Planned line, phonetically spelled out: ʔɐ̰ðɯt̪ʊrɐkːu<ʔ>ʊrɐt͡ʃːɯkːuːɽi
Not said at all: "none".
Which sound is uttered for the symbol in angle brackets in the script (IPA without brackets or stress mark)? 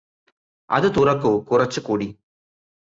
k